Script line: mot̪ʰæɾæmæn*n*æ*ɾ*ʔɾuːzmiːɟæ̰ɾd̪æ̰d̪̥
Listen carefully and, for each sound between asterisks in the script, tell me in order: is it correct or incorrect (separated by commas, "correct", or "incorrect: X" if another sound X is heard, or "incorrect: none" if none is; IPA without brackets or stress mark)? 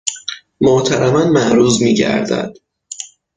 incorrect: m, incorrect: none